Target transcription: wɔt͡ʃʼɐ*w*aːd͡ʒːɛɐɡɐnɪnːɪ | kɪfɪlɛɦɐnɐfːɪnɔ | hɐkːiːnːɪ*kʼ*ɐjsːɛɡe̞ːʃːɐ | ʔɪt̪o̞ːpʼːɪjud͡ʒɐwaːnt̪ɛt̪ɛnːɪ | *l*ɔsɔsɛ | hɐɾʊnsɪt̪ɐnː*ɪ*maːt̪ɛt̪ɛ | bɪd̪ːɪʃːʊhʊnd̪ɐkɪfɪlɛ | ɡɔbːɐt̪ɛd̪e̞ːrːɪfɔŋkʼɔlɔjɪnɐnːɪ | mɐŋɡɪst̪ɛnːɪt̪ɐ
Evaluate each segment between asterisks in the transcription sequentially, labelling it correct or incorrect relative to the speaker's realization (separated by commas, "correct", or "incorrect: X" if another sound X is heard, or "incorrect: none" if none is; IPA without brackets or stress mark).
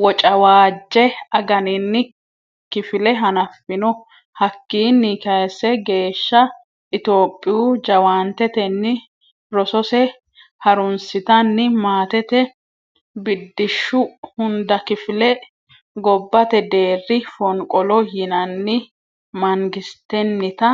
correct, incorrect: k, incorrect: ɾ, correct